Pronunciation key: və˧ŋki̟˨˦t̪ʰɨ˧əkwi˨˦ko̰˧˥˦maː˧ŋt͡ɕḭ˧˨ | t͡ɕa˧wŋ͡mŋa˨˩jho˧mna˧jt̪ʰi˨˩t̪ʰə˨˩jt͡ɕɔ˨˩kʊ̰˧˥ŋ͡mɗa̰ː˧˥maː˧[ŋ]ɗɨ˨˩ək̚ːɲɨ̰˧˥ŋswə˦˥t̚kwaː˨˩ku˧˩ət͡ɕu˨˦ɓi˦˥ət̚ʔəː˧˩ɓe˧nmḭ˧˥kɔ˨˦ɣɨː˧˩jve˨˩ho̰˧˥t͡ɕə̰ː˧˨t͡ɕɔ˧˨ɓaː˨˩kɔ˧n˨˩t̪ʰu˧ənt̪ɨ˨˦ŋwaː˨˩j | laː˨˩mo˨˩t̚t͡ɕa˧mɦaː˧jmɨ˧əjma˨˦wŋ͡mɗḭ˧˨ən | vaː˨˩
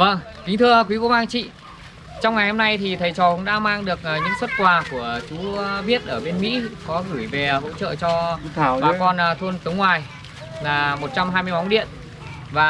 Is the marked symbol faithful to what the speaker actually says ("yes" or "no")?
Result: yes